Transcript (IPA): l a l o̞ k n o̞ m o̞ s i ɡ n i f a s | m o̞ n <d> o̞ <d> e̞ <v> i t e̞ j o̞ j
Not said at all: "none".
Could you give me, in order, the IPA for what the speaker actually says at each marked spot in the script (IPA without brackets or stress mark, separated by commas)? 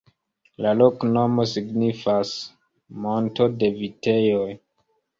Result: t, d, v